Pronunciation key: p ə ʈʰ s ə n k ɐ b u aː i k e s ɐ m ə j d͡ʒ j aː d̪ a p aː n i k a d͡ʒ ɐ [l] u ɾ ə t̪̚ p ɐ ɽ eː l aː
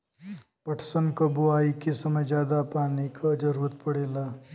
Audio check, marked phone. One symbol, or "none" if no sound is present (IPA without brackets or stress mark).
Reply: ɾ